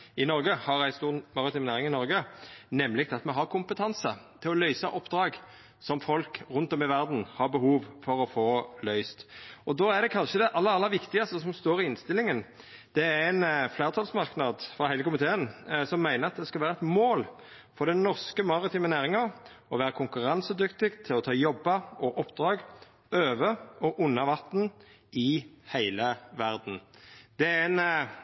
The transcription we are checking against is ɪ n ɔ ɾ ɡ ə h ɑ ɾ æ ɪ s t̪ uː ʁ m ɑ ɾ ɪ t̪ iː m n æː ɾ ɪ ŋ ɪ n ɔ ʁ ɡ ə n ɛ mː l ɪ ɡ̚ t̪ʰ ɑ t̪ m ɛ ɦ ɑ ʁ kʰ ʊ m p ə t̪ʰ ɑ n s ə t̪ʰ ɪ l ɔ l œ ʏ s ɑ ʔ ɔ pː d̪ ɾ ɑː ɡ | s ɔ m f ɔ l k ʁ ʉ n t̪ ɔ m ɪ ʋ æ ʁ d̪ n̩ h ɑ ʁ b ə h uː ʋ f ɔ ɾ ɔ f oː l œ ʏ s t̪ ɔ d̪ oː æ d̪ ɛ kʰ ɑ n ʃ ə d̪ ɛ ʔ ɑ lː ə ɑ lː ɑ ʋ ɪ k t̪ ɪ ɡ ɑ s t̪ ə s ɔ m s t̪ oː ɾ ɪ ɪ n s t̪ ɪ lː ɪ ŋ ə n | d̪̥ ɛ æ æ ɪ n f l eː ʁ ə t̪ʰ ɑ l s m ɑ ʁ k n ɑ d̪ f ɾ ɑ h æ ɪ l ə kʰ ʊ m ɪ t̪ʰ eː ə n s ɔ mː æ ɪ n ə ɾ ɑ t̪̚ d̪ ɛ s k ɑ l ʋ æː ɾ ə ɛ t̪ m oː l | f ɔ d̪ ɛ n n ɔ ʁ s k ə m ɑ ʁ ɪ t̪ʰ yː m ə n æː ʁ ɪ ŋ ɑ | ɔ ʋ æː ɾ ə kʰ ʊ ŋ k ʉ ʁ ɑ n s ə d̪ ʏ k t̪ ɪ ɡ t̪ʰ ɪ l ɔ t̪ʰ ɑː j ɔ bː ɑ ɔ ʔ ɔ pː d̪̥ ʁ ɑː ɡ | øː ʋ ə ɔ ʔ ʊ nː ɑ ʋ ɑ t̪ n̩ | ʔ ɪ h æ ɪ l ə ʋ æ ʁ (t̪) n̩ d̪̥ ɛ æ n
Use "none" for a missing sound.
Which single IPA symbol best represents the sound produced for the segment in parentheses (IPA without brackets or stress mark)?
d̪